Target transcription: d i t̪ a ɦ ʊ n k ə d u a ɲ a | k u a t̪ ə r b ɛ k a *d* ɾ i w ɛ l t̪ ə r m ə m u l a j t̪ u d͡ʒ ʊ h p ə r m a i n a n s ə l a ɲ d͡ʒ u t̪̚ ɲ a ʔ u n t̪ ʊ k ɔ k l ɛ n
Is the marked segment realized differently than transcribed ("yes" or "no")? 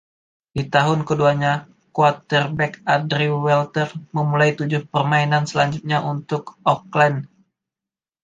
no